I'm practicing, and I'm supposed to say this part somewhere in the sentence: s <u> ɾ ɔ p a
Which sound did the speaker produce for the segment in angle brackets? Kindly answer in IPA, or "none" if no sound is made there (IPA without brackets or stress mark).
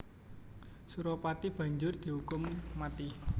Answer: u